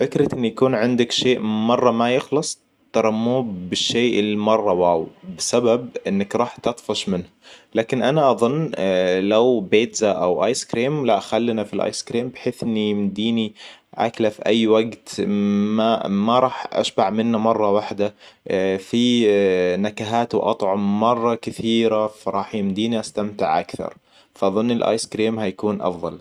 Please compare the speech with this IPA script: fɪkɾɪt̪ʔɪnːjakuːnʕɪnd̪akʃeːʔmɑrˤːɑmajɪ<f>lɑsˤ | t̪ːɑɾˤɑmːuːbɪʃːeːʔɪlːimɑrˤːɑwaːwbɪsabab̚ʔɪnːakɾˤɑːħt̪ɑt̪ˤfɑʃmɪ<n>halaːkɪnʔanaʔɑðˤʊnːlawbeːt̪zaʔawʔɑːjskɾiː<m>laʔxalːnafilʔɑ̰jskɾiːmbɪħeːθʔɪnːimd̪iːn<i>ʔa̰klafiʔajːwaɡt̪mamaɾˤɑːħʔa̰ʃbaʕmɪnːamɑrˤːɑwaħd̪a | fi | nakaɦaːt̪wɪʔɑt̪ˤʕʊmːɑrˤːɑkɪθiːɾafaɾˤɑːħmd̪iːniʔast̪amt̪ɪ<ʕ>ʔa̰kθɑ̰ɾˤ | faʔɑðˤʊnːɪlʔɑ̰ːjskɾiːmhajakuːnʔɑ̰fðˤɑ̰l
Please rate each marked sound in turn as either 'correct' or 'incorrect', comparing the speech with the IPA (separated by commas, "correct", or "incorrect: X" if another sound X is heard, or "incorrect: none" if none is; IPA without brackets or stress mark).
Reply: incorrect: x, correct, correct, correct, correct